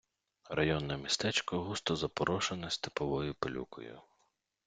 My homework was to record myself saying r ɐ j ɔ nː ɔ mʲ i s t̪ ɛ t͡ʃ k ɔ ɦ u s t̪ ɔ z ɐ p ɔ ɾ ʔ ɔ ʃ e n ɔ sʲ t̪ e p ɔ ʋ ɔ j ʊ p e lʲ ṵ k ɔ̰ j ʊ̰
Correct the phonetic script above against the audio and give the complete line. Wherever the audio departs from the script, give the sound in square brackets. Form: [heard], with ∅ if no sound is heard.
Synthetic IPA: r ɐ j ɔ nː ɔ mʲ i s t̪ ɛ t͡ʃ k ɔ ɦ u s t̪ ɔ z ɐ p ɔ ɾ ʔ ɔ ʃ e n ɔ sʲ t̪ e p ɔ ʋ ɔ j ʊ p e lʲ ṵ k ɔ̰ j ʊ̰